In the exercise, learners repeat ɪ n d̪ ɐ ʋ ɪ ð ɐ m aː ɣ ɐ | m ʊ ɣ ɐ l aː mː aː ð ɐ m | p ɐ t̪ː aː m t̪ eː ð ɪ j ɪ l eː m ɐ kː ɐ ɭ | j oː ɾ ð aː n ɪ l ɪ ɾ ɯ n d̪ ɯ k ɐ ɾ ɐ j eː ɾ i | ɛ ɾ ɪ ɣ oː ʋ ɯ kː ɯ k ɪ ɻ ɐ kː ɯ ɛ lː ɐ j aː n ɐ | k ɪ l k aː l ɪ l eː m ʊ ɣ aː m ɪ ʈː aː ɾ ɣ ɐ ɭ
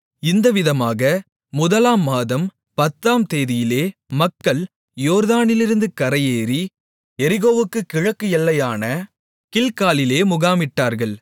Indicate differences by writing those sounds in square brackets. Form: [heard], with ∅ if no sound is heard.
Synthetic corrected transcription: ɪ n d̪ ɐ ʋ ɪ ð ɐ m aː ɣ ɐ | m ʊ [ð] ɐ l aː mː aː ð ɐ m | p ɐ t̪ː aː m t̪ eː ð ɪ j ɪ l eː m ɐ kː ɐ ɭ | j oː ɾ ð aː n ɪ l ɪ ɾ ɯ n d̪ ɯ k ɐ ɾ ɐ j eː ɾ i | ɛ ɾ ɪ ɣ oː ʋ ɯ kː ɯ k ɪ ɻ ɐ kː ɯ ɛ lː ɐ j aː n ɐ | k ɪ l k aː l ɪ l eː m ʊ ɣ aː m ɪ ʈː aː ɾ ɣ ɐ ɭ